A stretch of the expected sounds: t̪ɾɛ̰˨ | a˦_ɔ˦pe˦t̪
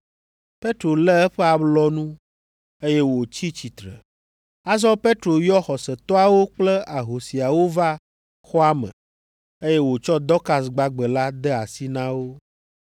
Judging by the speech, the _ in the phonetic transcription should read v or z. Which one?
z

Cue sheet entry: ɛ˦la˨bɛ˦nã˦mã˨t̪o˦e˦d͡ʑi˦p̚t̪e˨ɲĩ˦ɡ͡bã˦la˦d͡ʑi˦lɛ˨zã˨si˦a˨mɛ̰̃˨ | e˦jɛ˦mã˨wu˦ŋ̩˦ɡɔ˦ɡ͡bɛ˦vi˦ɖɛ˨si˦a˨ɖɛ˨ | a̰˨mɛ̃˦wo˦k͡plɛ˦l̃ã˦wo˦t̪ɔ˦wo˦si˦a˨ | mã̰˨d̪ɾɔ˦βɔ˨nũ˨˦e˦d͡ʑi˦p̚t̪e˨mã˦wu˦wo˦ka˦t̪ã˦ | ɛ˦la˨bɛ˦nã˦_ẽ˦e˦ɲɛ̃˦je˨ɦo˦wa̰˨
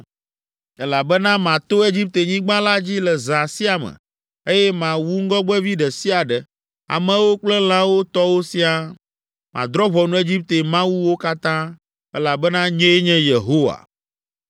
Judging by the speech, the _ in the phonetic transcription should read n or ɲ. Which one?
ɲ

